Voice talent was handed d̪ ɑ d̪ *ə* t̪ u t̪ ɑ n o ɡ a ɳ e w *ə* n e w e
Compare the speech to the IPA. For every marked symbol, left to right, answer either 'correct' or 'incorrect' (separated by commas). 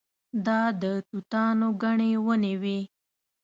correct, correct